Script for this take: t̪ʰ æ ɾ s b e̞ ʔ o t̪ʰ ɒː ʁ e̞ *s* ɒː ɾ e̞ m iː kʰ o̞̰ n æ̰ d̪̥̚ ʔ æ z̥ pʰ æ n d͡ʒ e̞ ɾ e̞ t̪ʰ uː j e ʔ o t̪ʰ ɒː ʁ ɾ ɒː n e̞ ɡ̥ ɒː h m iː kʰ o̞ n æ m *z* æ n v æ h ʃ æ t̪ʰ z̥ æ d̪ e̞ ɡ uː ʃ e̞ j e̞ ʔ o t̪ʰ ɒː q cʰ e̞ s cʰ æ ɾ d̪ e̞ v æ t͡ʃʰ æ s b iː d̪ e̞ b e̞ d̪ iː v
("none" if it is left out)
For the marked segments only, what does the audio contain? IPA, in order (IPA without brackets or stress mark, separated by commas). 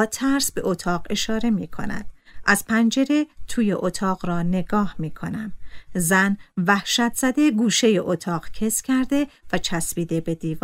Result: ʃ, z